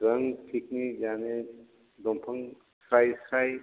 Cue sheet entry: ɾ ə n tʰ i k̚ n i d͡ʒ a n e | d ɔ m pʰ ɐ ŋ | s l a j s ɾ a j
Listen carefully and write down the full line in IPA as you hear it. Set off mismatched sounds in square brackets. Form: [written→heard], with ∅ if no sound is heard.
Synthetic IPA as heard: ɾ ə [n→ŋ] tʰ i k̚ n i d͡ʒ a n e | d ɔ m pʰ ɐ ŋ | s [l→ɾ] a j s ɾ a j